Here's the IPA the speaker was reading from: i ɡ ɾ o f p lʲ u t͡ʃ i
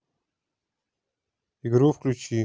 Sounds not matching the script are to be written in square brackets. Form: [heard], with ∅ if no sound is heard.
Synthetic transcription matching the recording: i ɡ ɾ [u] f [k] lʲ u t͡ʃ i

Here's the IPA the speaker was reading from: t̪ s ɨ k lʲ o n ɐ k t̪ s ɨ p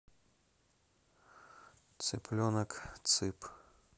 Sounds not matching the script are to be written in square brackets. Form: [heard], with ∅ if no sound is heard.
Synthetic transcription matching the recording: t̪ s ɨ [p] lʲ [ɔ] n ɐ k t̪ s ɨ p

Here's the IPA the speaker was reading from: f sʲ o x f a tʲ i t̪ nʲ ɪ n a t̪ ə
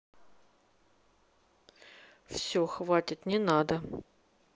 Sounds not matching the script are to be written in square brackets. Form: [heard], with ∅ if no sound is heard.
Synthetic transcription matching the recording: f sʲ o x [v] a tʲ [ɪ] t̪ nʲ ɪ n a [d̪] ə

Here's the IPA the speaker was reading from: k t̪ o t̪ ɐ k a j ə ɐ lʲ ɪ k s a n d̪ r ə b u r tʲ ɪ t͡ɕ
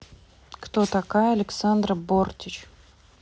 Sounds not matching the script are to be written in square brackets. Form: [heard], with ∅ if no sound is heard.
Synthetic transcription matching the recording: k t̪ o t̪ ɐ k a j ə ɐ lʲ ɪ k s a n d̪ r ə b [o] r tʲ ɪ t͡ɕ

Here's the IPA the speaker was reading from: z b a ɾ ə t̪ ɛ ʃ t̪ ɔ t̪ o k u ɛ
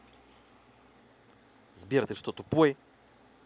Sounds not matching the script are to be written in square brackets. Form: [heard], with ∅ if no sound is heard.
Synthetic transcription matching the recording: z b [i] ɾ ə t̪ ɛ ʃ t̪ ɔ t̪ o [p] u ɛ

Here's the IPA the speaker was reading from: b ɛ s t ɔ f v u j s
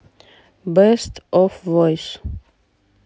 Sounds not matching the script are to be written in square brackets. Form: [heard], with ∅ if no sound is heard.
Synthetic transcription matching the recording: b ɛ s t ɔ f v [ɔ] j s

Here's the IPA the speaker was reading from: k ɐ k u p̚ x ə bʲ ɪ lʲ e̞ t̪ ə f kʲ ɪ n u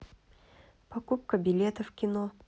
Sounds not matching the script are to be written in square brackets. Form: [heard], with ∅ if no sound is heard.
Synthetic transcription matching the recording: [p] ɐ k u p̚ [k] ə bʲ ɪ lʲ e̞ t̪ ə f kʲ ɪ n [o]

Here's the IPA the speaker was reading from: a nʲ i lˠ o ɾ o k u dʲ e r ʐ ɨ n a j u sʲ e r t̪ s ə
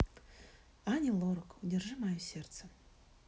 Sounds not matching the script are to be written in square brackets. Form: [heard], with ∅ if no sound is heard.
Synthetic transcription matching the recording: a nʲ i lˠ o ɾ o k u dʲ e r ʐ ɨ [m] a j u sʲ e r t̪ s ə

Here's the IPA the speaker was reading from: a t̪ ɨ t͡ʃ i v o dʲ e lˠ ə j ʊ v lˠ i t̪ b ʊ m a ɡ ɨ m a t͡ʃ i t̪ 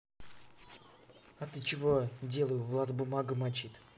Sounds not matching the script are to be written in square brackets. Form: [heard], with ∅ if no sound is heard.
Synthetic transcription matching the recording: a t̪ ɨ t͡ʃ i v o dʲ e lˠ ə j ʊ v lˠ [a] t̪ b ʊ m a ɡ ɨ m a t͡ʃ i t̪

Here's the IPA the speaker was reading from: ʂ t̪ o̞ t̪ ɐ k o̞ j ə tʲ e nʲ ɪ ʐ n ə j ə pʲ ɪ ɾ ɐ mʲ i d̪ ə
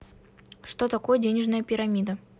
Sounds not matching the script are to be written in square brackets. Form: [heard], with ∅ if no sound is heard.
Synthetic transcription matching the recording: ʂ t̪ o̞ t̪ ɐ k o̞ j ə [dʲ] e nʲ ɪ ʐ n ə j ə pʲ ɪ ɾ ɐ mʲ i d̪ ə

